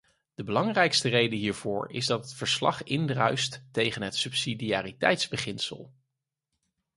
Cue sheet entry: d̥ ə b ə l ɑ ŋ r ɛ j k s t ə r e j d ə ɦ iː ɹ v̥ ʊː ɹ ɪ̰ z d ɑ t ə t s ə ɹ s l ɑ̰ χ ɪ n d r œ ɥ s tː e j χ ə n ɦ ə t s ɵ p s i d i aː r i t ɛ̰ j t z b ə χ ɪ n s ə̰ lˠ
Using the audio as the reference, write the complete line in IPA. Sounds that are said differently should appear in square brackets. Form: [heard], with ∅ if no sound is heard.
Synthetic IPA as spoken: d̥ ə b ə l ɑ ŋ r ɛ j k s t ə r e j d ə ɦ iː ɹ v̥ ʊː ɹ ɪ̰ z d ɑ t ə t [f] ə ɹ s l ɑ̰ χ ɪ n d r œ ɥ s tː e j χ ə n ɦ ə t s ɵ p s i d i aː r i t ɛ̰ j t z b ə χ ɪ n s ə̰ lˠ